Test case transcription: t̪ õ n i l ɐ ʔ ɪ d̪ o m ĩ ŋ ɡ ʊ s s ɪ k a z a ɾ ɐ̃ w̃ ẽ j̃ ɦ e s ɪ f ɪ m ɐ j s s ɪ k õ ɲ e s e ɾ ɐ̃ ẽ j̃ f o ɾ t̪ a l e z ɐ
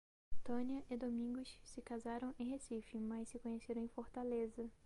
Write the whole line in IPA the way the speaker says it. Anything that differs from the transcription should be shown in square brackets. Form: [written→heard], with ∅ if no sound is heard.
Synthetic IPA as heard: t̪ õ n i [l→∅] ɐ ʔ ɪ d̪ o m ĩ ŋ ɡ ʊ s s ɪ k a z a ɾ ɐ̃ w̃ ẽ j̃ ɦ e s [ɪ→i] f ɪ m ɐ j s s ɪ k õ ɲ e s e ɾ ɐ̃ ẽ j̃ f o ɾ t̪ a l e z ɐ